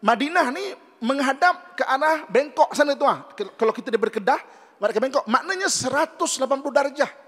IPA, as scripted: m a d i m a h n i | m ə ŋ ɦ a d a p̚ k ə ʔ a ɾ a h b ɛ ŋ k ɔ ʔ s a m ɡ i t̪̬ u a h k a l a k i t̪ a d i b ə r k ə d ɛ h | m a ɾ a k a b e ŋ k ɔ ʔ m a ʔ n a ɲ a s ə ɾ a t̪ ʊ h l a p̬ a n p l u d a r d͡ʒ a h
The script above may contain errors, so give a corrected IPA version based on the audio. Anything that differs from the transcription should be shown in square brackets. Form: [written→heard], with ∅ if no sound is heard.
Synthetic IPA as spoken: m a d i [m→n] a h n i | m ə ŋ ɦ a d a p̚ k ə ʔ a ɾ a h b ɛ ŋ k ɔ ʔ s a [m→n] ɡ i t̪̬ u a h k a l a k i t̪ a d i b ə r k ə d [ɛ→a] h | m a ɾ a k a b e ŋ k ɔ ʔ m a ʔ n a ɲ a s ə ɾ a t̪ ʊ [h→s] l a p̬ a n p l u d a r d͡ʒ a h